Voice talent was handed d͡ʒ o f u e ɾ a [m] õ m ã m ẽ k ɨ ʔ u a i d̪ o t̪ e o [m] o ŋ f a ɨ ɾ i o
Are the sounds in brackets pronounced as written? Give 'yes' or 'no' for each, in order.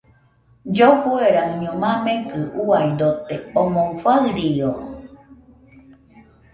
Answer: no, yes

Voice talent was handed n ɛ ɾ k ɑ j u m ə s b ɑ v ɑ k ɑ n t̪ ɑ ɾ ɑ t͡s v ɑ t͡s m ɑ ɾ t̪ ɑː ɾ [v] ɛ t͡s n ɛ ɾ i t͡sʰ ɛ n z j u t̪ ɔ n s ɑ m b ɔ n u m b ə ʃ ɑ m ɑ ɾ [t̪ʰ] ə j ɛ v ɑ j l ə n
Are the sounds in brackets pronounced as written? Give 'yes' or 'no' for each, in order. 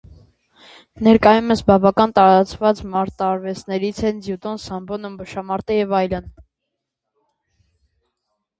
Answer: yes, no

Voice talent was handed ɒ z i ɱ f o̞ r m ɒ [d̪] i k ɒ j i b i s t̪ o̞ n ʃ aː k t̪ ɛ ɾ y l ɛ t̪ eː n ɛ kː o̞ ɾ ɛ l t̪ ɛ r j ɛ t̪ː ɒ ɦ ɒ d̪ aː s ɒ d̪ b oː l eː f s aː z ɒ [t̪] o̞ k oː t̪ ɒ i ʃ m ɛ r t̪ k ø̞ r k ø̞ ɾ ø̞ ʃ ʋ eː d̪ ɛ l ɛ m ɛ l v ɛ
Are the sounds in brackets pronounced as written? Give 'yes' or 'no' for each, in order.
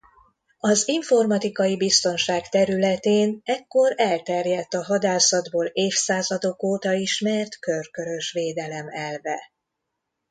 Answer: no, no

